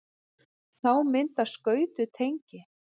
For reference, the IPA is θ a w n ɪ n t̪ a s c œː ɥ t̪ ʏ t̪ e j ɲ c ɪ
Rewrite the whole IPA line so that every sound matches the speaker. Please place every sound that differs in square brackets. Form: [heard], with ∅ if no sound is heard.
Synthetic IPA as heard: θ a w [m] ɪ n t̪ a s [k] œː ɥ t̪ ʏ [t̪ʰ] e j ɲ c ɪ